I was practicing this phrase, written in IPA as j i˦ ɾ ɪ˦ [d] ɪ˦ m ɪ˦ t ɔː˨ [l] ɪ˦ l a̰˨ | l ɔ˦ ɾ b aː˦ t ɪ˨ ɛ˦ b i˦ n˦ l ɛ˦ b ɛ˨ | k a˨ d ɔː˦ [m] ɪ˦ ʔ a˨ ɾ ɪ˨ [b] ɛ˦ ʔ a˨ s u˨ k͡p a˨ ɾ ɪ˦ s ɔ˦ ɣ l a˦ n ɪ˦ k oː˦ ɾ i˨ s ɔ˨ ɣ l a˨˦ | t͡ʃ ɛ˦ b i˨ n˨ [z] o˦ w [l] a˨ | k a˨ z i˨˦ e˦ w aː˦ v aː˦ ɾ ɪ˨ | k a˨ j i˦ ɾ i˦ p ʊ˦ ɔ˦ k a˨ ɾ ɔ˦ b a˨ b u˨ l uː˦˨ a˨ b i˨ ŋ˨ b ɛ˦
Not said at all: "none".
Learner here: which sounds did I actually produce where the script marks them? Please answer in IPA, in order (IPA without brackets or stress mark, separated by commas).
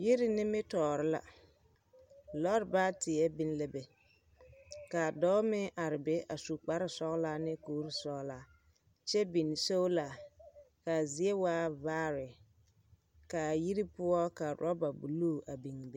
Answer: n, ɾ, m, b, s, l